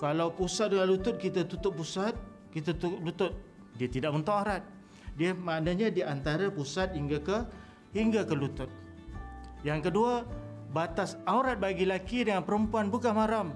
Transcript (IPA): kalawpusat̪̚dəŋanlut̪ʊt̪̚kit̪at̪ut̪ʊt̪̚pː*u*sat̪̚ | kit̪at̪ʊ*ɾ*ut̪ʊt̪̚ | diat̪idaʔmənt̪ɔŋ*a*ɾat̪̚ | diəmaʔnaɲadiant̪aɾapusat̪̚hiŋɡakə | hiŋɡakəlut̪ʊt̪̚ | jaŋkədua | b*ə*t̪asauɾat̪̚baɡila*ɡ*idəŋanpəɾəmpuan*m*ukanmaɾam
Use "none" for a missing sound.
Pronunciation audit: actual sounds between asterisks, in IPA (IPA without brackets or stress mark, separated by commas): u, l, a, a, k, b